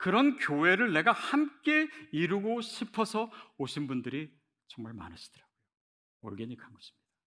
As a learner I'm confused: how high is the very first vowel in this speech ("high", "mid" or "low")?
high